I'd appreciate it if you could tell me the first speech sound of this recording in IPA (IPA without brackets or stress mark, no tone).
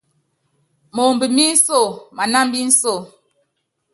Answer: m